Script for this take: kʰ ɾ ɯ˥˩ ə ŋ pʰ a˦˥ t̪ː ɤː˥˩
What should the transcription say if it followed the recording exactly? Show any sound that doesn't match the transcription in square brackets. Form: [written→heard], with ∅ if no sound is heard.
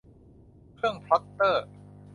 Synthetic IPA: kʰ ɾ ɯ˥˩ ə ŋ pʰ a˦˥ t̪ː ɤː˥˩